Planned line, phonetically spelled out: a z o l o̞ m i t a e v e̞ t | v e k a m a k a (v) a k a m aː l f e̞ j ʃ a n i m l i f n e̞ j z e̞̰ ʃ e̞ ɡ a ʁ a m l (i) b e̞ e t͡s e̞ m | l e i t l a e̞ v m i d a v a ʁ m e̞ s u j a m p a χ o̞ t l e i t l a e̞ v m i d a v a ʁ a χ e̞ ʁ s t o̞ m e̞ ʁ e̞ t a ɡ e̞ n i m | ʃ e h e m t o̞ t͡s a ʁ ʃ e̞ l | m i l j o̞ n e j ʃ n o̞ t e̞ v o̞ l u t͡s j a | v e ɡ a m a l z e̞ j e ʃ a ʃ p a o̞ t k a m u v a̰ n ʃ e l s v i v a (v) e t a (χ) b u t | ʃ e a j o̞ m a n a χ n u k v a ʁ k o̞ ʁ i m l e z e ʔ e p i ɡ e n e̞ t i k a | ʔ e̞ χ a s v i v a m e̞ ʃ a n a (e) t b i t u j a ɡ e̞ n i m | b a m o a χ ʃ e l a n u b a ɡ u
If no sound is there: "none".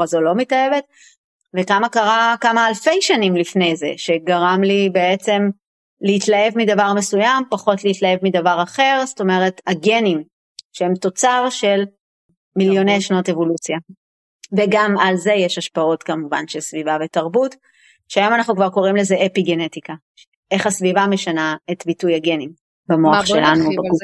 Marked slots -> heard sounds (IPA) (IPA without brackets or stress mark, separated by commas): ʁ, i, v, ʁ, e